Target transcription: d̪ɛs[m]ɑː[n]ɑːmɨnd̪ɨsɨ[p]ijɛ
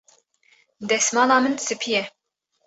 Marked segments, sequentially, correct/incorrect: correct, correct, incorrect: pʰ

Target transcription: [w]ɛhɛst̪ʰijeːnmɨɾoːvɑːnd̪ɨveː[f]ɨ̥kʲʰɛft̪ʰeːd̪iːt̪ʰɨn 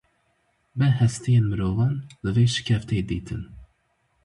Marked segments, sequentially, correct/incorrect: incorrect: b, incorrect: ʃ

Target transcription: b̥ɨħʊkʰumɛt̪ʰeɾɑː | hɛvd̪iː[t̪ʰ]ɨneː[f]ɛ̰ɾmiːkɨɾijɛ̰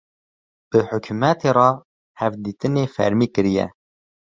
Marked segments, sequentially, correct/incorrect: incorrect: t̪, correct

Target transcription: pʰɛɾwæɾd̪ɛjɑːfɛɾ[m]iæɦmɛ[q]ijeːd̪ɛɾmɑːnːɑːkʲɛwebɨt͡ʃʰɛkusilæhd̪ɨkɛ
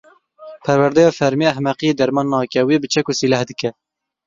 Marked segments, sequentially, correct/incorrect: correct, correct

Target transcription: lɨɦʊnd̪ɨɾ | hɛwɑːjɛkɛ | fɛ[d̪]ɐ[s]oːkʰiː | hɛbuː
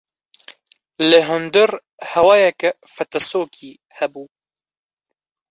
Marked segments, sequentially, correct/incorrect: incorrect: t̪, correct

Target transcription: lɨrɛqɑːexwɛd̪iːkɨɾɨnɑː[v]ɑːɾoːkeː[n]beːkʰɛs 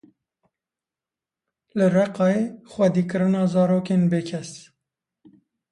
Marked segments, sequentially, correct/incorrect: incorrect: z, correct

